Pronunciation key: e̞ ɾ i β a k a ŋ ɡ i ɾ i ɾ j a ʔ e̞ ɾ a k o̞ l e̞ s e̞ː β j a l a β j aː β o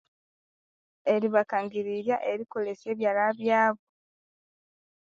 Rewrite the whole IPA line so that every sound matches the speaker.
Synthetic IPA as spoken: e̞ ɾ i β a k a ŋ ɡ i ɾ i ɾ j a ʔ e̞ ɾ i k o̞ l e̞ s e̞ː β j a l a β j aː β o